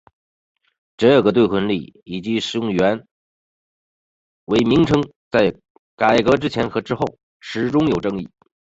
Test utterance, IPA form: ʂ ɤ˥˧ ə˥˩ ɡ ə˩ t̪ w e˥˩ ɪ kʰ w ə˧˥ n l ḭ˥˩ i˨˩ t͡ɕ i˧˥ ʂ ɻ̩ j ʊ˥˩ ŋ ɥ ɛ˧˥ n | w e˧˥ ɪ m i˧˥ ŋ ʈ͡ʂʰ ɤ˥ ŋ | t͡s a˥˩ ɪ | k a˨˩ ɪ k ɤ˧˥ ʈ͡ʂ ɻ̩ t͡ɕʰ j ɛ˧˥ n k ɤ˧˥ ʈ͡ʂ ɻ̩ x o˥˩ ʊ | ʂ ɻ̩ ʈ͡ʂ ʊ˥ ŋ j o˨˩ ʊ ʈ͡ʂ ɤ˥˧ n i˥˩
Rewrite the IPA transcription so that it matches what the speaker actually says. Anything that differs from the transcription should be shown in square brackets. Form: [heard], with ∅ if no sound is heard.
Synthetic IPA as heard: [ʈ͡ʂ] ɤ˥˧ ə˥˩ ɡ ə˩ t̪ w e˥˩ ɪ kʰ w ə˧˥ n l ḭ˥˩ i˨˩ t͡ɕ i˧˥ ʂ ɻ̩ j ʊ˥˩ ŋ ɥ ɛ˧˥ n | w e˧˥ ɪ m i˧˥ ŋ ʈ͡ʂʰ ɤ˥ ŋ | t͡s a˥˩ ɪ | k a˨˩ ɪ k ɤ˧˥ ʈ͡ʂ ɻ̩ t͡ɕʰ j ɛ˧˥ n [x] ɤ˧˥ ʈ͡ʂ ɻ̩ x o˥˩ ʊ | ʂ ɻ̩ ʈ͡ʂ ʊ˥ ŋ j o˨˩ ʊ ʈ͡ʂ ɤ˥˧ [ŋ] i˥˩

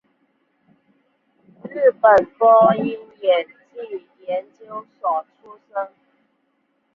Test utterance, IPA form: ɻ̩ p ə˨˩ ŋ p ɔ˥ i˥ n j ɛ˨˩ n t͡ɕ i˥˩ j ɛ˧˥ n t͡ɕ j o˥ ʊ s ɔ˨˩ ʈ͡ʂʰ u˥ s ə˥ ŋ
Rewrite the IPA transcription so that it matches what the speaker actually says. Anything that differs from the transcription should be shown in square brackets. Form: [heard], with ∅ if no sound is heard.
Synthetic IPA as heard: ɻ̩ p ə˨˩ [n] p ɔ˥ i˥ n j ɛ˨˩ n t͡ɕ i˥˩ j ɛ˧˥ n t͡ɕ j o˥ ʊ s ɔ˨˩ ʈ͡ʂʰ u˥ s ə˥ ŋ

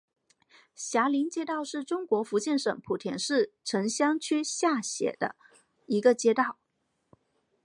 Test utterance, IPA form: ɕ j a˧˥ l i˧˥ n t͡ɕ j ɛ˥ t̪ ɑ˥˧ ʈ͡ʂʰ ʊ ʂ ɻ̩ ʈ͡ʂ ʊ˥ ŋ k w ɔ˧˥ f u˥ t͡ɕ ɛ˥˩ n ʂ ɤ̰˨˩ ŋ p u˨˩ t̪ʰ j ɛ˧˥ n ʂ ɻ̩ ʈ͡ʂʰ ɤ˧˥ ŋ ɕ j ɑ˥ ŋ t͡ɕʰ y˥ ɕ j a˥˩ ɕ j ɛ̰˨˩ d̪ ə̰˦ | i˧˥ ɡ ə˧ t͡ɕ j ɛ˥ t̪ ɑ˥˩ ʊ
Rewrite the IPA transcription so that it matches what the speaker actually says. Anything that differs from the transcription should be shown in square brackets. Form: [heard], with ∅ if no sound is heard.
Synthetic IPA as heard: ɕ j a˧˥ l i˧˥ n t͡ɕ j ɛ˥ t̪ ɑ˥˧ [∅] ʊ ʂ ɻ̩ ʈ͡ʂ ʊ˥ ŋ k w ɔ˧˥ f [u˧˥] t͡ɕ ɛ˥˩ n ʂ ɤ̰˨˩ ŋ [pʰ] u˨˩ t̪ʰ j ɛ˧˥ n ʂ ɻ̩ ʈ͡ʂʰ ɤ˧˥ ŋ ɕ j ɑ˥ ŋ t͡ɕʰ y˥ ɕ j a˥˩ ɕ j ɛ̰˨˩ d̪ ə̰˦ | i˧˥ ɡ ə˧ t͡ɕ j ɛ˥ t̪ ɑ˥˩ ʊ

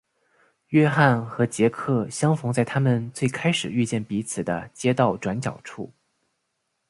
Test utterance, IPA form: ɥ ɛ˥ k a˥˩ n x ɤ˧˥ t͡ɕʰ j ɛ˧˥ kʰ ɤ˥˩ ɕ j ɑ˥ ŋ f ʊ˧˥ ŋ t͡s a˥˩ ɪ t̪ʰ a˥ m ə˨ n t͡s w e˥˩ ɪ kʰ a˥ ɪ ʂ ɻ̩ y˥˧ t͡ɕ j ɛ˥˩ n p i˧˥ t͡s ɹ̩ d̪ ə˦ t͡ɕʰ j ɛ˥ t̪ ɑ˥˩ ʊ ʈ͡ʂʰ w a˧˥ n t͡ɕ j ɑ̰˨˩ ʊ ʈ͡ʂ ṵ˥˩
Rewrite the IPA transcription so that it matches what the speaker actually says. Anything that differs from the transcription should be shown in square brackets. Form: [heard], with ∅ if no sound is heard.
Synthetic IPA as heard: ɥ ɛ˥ [x] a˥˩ n x ɤ˧˥ [t͡ɕ] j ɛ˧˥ kʰ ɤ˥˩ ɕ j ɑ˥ ŋ f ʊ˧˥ ŋ t͡s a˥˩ ɪ t̪ʰ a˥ m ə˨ n t͡s w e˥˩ ɪ kʰ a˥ ɪ ʂ ɻ̩ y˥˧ t͡ɕ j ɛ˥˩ n p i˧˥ [t͡sʰ] ɹ̩ d̪ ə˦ [t͡ɕ] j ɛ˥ t̪ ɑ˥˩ ʊ [ʈ͡ʂ] w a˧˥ n t͡ɕ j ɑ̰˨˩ ʊ [ʈ͡ʂʰ] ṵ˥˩

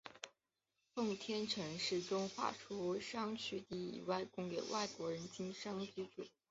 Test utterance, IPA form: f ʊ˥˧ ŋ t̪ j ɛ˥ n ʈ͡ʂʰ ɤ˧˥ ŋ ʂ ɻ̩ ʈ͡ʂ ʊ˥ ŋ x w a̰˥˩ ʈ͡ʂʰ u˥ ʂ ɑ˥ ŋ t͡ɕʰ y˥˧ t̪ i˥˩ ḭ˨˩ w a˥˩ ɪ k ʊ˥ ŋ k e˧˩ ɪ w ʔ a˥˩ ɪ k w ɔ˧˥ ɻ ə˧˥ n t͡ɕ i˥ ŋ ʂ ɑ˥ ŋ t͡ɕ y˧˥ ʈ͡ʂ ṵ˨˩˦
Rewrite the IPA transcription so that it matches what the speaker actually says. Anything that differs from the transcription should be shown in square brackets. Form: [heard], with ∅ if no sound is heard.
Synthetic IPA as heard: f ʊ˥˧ ŋ [t̪ʰ] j ɛ˥ n ʈ͡ʂʰ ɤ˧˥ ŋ ʂ ɻ̩ ʈ͡ʂ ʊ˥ ŋ x w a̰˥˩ ʈ͡ʂʰ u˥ ʂ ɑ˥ ŋ t͡ɕʰ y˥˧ t̪ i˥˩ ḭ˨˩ w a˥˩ ɪ k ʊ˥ ŋ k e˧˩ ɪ w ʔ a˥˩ ɪ k w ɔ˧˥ ɻ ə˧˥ n t͡ɕ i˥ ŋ ʂ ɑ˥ ŋ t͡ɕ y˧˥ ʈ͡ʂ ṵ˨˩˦

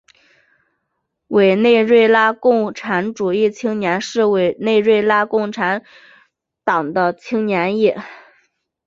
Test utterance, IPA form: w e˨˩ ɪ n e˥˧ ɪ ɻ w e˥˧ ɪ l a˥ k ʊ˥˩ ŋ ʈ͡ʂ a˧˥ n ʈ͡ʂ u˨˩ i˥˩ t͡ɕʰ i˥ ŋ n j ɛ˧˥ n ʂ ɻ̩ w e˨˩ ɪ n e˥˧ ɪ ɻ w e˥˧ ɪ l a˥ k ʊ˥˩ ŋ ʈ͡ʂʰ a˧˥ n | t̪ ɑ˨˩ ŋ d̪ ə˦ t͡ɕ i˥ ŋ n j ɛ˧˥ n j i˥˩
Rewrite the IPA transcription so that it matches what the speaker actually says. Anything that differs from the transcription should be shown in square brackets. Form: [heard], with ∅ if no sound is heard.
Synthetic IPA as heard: w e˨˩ ɪ n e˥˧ ɪ ɻ w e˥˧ ɪ l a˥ k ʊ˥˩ ŋ [ʈ͡ʂʰ] a˧˥ n ʈ͡ʂ u˨˩ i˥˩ t͡ɕʰ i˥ ŋ n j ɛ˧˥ n ʂ ɻ̩ w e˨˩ ɪ n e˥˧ ɪ ɻ w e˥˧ ɪ l a˥ k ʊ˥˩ ŋ ʈ͡ʂʰ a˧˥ n | t̪ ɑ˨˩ ŋ d̪ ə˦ [t͡ɕʰ] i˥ ŋ n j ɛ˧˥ n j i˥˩

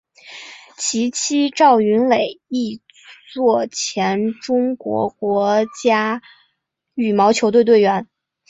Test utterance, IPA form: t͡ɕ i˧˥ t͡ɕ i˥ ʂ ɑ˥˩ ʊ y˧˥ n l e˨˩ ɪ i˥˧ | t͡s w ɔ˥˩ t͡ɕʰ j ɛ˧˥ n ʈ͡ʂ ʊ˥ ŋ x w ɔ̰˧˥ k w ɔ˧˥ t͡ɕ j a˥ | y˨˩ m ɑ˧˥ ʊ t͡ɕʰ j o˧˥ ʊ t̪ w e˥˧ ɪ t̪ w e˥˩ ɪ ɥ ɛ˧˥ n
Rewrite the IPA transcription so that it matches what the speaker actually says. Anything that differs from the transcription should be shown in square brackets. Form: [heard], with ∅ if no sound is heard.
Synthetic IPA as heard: [t͡ɕʰ] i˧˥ [t͡ɕʰ] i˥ [ʈ͡ʂ] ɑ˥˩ ʊ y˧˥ n l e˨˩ ɪ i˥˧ | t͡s w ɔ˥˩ t͡ɕʰ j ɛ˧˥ n ʈ͡ʂ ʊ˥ ŋ [k] w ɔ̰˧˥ k w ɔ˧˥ t͡ɕ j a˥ | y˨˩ m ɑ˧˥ ʊ t͡ɕʰ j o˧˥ ʊ t̪ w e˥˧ ɪ t̪ w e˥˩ ɪ ɥ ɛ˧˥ n

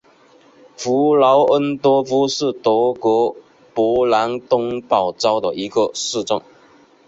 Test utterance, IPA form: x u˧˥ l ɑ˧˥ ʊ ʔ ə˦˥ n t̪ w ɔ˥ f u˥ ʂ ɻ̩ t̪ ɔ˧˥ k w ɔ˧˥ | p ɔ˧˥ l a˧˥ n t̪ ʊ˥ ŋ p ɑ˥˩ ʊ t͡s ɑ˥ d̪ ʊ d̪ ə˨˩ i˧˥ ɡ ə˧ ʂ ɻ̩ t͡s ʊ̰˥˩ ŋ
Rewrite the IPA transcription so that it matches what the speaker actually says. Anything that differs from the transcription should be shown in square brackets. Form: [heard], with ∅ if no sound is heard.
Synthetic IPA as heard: [f] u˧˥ l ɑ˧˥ ʊ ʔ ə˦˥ n t̪ w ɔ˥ f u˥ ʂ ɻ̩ t̪ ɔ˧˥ k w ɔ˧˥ | p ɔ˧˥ l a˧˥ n t̪ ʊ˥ ŋ p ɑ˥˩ ʊ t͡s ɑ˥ [∅] ʊ d̪ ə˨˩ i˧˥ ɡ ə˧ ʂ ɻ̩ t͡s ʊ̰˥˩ ŋ

